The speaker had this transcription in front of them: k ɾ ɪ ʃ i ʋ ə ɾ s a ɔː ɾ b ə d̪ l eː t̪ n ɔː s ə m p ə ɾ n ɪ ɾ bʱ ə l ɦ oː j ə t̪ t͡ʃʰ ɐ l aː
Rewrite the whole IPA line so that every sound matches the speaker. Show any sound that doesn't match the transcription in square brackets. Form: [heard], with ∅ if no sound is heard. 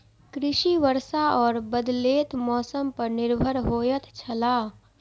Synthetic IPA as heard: k ɾ ɪ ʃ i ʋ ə ɾ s a ɔː ɾ b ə d̪ l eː t̪ [m] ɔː s ə m p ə ɾ n ɪ ɾ bʱ ə [ɾ] ɦ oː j ə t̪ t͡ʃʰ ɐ l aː